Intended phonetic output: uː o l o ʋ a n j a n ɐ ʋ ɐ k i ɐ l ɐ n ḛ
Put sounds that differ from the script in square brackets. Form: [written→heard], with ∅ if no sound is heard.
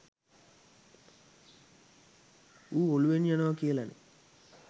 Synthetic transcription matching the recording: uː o l [o→u] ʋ [a→e] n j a n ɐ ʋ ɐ k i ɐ l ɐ n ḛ